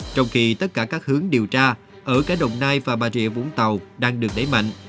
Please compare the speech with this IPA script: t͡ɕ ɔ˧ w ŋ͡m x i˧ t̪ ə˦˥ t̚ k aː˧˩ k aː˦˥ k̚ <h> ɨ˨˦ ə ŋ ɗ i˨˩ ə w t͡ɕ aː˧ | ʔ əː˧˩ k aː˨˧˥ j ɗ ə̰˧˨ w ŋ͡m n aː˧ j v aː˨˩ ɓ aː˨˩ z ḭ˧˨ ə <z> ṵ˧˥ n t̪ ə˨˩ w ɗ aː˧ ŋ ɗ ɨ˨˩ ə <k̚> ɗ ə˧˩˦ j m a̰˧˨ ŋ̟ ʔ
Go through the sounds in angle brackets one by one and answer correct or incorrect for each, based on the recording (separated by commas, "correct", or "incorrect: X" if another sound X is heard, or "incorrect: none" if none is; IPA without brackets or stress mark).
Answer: correct, incorrect: v, correct